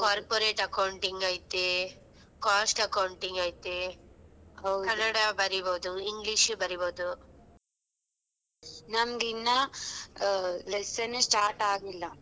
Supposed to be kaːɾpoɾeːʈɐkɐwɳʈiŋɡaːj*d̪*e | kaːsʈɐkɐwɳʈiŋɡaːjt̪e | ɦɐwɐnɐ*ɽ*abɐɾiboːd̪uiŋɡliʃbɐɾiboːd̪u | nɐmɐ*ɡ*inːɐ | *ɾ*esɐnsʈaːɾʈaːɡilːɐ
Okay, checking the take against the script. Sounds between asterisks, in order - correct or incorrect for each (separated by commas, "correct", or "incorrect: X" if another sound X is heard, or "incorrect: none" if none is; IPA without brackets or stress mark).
incorrect: t̪, correct, correct, incorrect: l